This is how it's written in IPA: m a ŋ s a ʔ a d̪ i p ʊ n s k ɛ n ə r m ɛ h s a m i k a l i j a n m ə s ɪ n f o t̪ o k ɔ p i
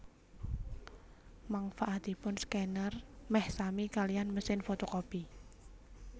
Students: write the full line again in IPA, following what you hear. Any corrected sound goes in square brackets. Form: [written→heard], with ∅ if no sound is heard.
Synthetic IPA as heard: m a ŋ [s→f] a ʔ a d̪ i p ʊ n s k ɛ n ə r m ɛ h s a m i k a l i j a n m ə s ɪ n f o t̪ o k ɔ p i